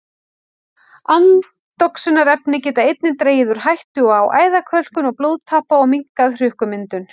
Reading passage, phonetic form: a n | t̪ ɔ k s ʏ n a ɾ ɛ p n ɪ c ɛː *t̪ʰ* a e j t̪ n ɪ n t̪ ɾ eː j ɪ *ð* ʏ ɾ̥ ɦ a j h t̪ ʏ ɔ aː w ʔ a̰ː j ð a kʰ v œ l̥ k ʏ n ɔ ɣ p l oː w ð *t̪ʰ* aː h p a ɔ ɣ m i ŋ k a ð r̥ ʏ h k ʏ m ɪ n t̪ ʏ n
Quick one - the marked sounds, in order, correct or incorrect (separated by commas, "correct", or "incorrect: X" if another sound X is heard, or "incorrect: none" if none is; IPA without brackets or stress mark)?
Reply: incorrect: t̪, correct, correct